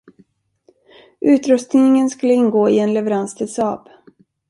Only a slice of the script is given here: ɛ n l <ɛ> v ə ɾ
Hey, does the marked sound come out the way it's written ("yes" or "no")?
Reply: yes